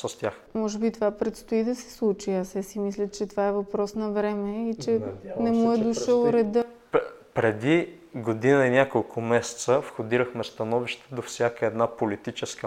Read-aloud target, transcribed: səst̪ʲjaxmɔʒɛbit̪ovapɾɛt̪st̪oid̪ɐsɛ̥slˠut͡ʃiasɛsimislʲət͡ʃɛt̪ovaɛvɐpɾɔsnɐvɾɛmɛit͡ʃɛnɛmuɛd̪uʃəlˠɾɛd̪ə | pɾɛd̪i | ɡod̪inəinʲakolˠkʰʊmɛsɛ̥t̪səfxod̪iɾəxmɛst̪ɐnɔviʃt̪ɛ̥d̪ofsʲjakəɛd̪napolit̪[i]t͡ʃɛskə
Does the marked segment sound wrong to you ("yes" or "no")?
no